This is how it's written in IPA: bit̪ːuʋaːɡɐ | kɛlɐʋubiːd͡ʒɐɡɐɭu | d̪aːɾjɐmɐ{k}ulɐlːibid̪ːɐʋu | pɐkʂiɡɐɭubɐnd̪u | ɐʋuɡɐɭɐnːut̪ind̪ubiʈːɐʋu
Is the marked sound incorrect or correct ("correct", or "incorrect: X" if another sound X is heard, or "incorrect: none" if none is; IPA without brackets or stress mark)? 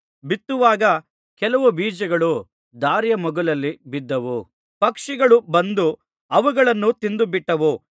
incorrect: ɡ